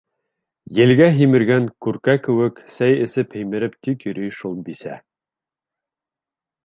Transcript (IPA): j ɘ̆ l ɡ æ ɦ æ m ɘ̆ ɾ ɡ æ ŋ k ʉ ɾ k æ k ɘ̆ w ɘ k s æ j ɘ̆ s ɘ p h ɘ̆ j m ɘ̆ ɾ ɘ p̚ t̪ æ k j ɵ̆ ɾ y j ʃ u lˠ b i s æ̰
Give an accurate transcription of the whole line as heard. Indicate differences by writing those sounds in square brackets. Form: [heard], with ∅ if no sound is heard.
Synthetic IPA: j ɘ̆ l ɡ æ ɦ [i] m ɘ̆ ɾ ɡ æ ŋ k ʉ ɾ k æ k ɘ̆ w ɘ k s æ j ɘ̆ s ɘ p h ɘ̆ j m ɘ̆ ɾ ɘ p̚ t̪ [i] k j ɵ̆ ɾ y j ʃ u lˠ b i s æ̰